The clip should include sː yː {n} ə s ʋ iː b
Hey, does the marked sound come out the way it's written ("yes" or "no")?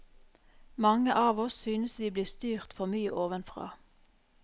yes